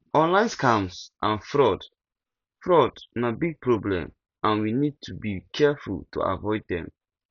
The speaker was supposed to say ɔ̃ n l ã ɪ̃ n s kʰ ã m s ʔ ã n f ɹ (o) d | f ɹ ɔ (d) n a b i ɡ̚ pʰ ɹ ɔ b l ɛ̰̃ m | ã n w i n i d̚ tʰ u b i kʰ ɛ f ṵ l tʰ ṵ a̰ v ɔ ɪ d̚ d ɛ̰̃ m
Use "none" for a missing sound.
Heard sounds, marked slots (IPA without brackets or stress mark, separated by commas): ɔ, d